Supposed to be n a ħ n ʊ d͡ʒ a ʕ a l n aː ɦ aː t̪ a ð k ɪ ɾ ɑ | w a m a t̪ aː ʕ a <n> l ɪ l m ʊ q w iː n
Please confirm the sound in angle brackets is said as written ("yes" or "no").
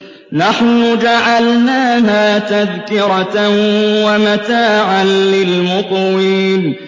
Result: yes